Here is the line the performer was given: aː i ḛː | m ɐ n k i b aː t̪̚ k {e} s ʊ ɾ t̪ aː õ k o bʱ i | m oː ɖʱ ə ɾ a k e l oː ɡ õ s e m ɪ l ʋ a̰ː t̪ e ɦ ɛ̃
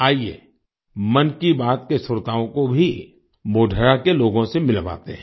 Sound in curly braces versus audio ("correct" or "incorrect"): correct